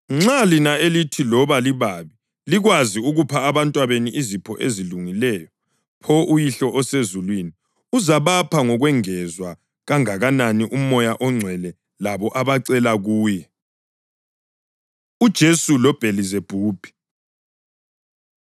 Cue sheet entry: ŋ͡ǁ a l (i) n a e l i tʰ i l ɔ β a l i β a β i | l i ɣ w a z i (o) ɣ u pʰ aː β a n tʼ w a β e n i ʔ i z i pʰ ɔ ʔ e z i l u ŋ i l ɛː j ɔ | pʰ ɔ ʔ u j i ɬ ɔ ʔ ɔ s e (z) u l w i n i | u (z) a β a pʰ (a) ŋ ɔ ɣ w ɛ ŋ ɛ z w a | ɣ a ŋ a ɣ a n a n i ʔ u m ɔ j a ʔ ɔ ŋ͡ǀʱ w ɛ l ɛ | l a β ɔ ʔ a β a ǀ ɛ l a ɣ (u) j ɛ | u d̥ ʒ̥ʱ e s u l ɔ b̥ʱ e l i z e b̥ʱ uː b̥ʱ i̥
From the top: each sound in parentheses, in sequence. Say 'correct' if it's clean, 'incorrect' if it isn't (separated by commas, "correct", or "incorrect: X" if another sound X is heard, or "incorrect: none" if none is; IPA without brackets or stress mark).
correct, incorrect: u, correct, correct, correct, incorrect: uː